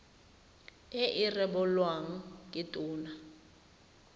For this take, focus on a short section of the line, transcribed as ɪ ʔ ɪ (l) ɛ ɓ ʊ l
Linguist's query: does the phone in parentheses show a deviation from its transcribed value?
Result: yes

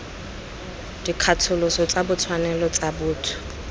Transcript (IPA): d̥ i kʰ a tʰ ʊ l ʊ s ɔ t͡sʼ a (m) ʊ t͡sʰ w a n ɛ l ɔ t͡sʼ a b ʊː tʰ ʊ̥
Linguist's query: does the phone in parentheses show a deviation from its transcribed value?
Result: yes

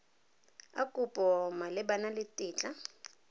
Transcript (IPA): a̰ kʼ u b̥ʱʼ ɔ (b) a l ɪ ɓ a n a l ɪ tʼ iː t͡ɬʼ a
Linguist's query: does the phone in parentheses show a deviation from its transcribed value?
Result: yes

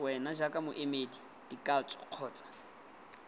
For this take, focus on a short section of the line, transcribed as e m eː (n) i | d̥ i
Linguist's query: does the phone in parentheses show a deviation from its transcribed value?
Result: yes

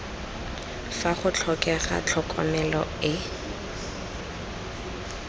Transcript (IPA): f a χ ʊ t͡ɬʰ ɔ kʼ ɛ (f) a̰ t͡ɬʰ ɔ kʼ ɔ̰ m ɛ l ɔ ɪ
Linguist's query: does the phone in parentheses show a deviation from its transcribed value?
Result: yes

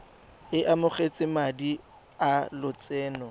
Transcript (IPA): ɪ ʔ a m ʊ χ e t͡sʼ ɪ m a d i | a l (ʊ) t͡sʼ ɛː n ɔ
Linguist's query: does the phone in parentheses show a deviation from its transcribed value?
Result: no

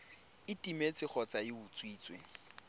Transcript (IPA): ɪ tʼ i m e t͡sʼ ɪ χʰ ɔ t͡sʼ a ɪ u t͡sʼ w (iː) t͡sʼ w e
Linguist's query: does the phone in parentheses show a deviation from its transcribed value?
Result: no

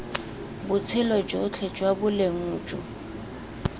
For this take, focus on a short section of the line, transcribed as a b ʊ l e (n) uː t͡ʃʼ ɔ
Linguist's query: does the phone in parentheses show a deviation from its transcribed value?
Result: yes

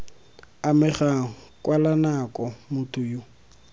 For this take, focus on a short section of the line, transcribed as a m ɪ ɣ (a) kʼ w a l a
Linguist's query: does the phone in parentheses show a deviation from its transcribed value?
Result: no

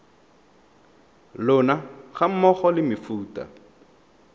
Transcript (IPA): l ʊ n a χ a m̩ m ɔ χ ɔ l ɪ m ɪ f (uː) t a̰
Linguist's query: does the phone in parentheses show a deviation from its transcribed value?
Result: no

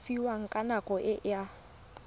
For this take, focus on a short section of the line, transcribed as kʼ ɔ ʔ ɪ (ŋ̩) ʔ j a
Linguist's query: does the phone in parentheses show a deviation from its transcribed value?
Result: yes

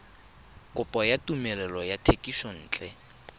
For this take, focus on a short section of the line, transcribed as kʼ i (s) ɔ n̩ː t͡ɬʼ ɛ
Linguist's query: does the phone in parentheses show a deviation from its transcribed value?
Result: yes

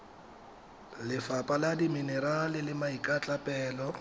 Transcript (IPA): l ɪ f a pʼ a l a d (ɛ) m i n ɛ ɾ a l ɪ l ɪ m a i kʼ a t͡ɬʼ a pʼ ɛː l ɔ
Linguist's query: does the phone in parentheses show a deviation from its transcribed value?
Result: yes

